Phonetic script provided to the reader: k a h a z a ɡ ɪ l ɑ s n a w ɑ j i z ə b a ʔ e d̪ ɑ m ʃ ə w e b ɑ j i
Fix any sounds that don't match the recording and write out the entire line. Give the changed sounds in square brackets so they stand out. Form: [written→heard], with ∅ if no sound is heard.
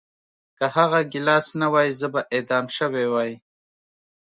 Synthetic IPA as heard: k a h a [z→ɣ] a ɡ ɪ l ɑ s n a w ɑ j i z ə b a ʔ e d̪ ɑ m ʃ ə w e [b→w] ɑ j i